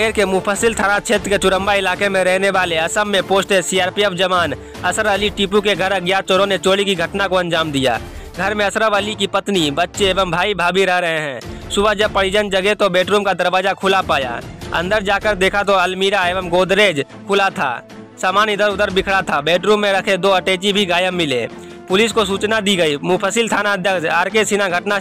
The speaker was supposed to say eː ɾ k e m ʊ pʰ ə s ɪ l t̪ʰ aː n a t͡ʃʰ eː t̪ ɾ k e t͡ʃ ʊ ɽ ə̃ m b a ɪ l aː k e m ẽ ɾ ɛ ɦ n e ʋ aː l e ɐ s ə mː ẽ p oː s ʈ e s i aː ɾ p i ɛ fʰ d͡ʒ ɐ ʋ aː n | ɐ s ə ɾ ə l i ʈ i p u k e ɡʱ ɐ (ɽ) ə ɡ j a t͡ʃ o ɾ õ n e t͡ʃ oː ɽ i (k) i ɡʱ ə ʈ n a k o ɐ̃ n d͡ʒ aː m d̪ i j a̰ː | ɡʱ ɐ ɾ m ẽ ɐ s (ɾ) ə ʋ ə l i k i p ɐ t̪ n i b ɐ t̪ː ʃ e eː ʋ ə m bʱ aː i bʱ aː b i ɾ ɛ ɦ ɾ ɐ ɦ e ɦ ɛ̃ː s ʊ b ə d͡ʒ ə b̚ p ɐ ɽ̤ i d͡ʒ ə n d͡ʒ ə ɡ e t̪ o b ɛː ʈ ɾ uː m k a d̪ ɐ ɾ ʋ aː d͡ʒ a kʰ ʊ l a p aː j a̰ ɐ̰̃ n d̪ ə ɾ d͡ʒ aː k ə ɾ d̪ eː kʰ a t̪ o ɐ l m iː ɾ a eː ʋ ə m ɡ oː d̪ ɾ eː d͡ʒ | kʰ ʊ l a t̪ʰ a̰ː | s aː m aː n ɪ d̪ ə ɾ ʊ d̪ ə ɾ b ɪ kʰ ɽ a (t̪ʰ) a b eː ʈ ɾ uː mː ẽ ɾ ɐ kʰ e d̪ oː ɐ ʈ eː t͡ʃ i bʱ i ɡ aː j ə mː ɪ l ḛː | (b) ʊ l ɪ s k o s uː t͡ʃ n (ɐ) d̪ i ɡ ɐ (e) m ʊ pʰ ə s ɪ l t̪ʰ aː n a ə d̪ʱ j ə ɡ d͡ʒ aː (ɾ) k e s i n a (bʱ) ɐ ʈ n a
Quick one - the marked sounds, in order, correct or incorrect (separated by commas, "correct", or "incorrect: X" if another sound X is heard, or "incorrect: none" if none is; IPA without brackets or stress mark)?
incorrect: ɾ, correct, correct, correct, incorrect: p, incorrect: a, incorrect: i, correct, incorrect: ɡʱ